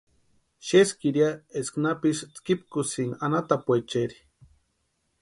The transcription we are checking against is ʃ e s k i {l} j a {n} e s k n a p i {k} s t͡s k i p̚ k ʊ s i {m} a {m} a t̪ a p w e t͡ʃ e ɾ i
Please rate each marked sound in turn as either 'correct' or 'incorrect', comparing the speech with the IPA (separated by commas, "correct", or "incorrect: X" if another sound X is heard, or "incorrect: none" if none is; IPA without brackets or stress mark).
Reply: incorrect: ɾ, incorrect: none, incorrect: none, incorrect: ŋ, incorrect: n